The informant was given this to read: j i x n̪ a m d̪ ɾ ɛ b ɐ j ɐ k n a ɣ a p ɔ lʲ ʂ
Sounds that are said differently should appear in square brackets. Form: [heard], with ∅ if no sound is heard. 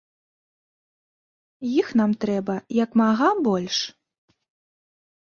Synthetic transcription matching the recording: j i x n̪ a m [t̪] ɾ ɛ b ɐ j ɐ k [m] a ɣ a [b] ɔ lʲ ʂ